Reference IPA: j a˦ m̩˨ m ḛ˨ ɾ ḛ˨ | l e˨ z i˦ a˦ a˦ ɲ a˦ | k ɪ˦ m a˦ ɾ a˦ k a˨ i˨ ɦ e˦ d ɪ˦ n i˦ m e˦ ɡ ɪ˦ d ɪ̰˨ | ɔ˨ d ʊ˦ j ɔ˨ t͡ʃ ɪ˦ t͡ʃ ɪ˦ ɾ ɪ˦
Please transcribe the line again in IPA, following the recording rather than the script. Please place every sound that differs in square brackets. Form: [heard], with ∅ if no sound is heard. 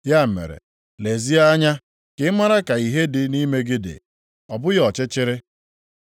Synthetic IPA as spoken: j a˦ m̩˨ m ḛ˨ ɾ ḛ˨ | l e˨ z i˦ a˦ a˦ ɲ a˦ | k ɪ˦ m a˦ ɾ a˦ k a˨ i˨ ɦ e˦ d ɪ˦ n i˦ m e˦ ɡ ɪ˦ d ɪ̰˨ | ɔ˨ [b] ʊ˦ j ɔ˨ t͡ʃ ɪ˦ t͡ʃ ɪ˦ ɾ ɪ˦